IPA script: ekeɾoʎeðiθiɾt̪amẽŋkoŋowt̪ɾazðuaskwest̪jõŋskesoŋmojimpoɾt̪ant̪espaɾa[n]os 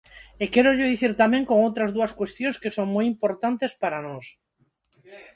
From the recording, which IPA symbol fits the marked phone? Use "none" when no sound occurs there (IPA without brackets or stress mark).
n